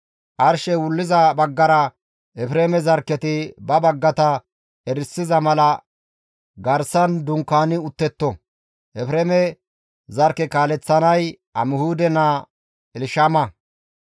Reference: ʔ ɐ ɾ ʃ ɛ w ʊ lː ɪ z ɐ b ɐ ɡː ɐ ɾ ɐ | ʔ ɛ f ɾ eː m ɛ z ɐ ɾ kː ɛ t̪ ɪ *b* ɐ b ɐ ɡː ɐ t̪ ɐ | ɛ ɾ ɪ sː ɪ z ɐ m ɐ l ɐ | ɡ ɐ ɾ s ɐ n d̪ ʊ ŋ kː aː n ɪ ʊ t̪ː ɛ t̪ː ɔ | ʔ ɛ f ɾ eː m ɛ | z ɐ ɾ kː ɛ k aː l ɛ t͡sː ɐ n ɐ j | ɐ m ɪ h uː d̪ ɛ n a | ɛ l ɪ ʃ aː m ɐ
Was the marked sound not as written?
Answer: no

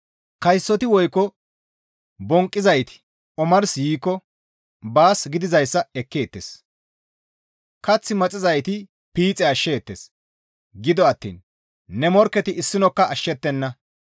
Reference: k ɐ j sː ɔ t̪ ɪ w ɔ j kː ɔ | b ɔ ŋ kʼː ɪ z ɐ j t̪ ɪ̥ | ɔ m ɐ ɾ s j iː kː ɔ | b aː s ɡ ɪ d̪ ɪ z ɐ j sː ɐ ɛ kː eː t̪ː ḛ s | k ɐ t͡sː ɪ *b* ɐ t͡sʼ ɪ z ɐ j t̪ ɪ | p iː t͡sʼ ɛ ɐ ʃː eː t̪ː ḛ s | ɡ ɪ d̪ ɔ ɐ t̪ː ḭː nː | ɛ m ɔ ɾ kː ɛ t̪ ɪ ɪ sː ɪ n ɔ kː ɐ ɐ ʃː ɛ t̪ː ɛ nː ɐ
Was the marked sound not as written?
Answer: yes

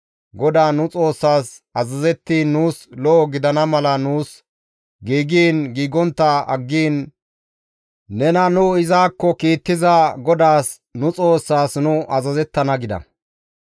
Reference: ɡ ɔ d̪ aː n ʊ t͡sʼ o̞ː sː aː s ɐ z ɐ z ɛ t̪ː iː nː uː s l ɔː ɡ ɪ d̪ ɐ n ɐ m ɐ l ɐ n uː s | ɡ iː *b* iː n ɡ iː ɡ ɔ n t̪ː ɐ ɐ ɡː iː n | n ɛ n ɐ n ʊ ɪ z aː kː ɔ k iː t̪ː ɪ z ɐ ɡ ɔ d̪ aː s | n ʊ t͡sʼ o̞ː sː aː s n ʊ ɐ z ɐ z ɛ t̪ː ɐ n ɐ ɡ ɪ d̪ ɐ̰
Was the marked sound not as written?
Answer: yes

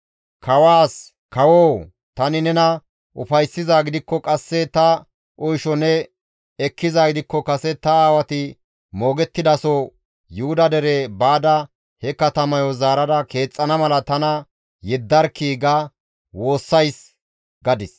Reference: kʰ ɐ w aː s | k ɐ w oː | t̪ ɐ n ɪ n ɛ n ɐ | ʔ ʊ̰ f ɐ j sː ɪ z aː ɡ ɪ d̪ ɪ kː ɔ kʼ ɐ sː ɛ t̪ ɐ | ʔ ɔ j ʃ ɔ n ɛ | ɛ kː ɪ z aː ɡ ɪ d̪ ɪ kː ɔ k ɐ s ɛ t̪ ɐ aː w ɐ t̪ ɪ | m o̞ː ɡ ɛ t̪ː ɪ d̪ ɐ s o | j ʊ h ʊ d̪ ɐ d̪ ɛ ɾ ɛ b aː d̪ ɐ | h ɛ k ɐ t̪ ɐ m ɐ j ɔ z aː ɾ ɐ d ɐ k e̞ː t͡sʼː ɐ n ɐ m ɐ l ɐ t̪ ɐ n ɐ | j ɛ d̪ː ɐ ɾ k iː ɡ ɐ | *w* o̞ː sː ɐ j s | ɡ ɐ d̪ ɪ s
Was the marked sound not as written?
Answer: no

